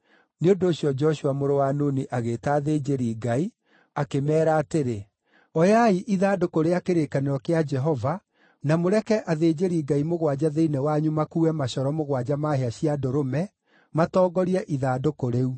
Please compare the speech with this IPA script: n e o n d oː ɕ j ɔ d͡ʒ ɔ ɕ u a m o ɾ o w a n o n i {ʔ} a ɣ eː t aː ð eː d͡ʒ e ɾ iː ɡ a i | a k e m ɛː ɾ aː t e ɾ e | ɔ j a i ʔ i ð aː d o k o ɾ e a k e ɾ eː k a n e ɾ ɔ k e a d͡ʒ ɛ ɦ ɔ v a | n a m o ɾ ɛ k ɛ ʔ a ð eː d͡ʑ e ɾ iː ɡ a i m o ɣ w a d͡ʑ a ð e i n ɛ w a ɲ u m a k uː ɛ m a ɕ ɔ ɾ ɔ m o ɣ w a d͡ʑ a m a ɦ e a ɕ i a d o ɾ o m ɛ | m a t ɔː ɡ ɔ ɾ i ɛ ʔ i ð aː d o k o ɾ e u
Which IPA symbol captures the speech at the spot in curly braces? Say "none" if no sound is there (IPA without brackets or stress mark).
ʔ